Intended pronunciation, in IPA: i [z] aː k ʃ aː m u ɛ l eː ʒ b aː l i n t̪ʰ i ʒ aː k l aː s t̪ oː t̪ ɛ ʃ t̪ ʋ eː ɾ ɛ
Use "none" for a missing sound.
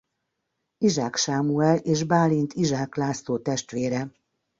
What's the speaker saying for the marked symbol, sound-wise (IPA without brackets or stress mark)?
ʒ